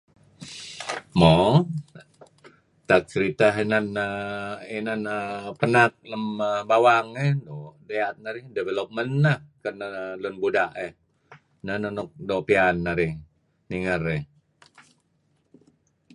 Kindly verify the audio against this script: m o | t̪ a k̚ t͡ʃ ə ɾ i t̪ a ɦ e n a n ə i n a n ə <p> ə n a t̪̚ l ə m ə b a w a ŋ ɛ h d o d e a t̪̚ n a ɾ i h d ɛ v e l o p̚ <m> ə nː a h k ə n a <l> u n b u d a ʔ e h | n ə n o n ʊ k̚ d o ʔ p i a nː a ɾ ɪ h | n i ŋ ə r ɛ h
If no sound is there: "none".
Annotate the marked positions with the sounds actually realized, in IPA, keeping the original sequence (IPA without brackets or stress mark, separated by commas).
p, m, l